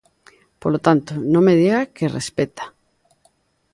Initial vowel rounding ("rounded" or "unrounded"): rounded